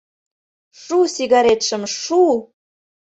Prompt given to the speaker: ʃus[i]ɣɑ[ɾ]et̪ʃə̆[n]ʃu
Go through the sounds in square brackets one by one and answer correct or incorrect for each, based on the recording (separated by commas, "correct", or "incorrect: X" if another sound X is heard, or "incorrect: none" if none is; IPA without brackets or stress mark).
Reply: correct, correct, incorrect: m